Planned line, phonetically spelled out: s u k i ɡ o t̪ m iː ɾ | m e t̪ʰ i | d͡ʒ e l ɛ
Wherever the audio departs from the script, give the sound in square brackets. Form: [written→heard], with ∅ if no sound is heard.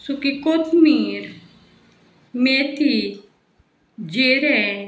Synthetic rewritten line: s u k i [ɡ→k] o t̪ m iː ɾ | m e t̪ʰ i | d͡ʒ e [l→ɾ] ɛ